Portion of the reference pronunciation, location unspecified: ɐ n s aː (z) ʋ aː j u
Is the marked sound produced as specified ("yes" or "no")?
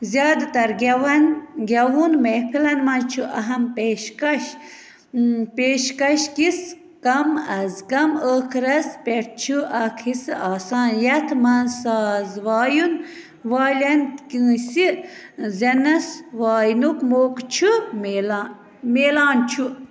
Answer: yes